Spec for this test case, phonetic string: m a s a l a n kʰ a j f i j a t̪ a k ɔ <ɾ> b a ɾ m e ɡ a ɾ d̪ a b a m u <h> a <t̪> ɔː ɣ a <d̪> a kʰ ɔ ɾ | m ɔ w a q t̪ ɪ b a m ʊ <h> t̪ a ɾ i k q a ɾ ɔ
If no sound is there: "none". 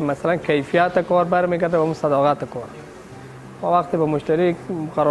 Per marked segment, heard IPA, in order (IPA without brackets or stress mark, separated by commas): ɾ, s, d̪, t̪, ʃ